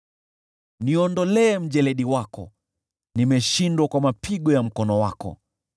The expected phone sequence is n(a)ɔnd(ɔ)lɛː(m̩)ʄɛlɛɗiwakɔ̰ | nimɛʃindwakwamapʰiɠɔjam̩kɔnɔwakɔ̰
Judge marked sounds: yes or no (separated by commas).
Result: no, yes, yes